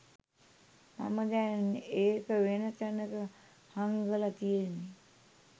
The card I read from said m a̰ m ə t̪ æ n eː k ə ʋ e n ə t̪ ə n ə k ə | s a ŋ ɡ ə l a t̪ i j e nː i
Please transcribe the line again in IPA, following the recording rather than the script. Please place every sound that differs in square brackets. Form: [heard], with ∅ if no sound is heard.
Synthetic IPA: m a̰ m ə [d̪] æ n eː k ə ʋ e n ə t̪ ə n ə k ə | [h] a ŋ ɡ ə l a t̪ i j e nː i